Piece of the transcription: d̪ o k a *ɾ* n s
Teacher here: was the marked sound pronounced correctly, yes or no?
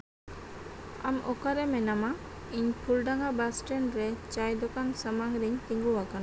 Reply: no